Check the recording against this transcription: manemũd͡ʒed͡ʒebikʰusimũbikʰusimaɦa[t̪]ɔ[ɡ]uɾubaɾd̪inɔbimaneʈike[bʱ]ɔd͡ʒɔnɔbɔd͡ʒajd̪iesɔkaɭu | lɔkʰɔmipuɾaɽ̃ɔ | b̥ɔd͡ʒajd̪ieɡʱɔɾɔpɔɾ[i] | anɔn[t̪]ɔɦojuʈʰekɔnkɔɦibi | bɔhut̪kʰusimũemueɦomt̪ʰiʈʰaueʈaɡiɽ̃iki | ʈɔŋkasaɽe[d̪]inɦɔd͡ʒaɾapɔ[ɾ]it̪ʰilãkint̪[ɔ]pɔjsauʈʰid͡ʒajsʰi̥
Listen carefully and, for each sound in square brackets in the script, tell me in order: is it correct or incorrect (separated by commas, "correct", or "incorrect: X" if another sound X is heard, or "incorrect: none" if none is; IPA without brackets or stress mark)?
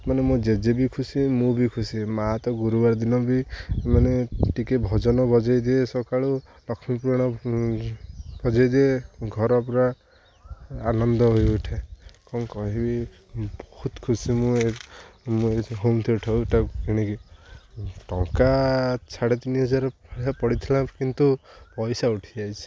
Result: correct, correct, correct, incorrect: a, incorrect: d̪, incorrect: t̪, incorrect: ɽ, incorrect: u